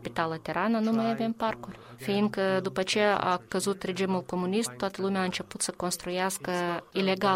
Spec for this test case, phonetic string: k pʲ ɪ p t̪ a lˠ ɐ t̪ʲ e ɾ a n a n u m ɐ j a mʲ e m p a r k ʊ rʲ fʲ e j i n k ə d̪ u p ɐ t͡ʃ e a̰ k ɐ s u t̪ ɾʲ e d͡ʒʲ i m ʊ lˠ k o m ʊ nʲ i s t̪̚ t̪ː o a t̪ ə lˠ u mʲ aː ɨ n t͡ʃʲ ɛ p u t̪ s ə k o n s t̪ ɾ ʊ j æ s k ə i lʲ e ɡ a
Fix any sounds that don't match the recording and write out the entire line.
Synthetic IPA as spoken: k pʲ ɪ t̪ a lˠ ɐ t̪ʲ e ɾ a n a n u m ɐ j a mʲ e m p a r k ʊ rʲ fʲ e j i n k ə d̪ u p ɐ t͡ʃ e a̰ k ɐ z u t̪ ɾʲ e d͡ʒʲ i m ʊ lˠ k o m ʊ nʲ i s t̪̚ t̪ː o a t̪ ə lˠ u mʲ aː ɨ n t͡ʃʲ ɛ p u t̪ s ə k o n s t̪ ɾ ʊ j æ s k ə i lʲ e ɡ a